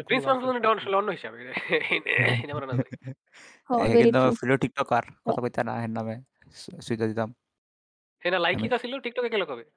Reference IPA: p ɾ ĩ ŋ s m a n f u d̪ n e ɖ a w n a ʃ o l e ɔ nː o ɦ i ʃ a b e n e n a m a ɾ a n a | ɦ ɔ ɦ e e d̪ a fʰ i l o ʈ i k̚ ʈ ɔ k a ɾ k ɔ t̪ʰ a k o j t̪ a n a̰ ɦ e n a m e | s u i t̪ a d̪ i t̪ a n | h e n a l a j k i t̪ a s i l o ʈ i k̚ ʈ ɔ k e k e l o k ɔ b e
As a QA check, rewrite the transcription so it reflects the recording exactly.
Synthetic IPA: p ɾ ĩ n s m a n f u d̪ n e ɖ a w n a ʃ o l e ɔ nː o ɦ i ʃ a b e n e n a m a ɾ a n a | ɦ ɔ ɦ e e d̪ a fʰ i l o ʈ i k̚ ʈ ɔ k a ɾ k ɔ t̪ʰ a k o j t̪ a n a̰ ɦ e n a m e | s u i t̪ a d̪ i t̪ a m | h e n a l a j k i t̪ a s i l o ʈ i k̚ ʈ ɔ k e k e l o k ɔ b e